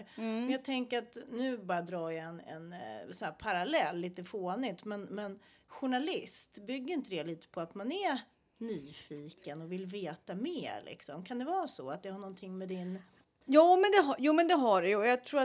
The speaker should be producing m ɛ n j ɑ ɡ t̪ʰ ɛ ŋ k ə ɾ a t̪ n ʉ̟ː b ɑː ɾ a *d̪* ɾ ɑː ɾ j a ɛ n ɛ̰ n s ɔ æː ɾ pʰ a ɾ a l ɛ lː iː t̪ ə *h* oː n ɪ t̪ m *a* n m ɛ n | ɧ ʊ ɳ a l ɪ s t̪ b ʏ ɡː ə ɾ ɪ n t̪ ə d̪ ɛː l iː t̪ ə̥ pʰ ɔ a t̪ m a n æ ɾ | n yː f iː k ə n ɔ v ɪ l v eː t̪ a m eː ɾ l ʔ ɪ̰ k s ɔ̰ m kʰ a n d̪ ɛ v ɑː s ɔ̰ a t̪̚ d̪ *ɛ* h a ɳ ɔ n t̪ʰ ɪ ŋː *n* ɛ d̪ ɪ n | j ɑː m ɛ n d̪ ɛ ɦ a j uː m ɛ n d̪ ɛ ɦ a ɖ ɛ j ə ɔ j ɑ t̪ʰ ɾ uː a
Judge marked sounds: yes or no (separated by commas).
yes, no, no, yes, no